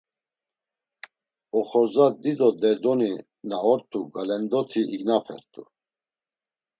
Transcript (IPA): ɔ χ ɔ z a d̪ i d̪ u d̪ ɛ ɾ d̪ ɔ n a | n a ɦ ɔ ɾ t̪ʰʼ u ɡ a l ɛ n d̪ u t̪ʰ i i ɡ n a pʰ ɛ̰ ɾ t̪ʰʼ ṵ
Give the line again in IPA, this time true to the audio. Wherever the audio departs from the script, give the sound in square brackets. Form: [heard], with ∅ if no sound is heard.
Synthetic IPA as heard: ɔ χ ɔ z a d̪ i d̪ [ɔ] d̪ ɛ ɾ d̪ ɔ n [i] | n a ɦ ɔ ɾ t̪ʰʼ u ɡ a l ɛ n d̪ [ɔ] t̪ʰ i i ɡ n a pʰ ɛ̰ ɾ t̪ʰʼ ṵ